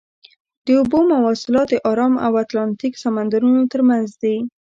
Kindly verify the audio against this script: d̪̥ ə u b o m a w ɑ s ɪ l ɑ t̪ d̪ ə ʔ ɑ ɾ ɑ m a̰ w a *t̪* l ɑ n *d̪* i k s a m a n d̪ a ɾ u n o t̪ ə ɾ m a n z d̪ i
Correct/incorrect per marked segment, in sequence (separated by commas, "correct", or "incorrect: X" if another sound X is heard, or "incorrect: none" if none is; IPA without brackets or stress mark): correct, incorrect: t̪